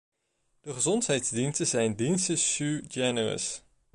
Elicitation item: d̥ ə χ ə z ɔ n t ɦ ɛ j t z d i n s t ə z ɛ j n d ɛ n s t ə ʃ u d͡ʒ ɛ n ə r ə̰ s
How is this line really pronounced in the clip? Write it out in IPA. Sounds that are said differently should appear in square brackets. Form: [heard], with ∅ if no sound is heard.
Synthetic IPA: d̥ ə χ ə z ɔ n t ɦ ɛ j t z d i n s t ə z ɛ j n d [i] n s t ə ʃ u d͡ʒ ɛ n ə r ə̰ s